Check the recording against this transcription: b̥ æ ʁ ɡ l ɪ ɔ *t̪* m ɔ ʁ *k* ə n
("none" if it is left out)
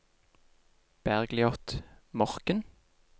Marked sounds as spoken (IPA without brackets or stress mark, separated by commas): t̪, k